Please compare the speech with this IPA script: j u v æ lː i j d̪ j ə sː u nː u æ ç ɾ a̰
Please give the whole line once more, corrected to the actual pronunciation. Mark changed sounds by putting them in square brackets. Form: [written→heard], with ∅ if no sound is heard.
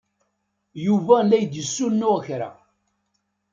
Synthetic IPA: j u v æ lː [i→æ] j d̪ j ə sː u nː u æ ç ɾ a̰